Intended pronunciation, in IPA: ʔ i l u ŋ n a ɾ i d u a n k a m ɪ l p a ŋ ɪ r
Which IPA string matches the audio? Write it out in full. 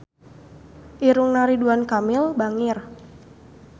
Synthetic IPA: ʔ i ɾ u ŋ n a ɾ i d u a n k a m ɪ l b a ŋ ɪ r